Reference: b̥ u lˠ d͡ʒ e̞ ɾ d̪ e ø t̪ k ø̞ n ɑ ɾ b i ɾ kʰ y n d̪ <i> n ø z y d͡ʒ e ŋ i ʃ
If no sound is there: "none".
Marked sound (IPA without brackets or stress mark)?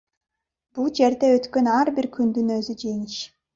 y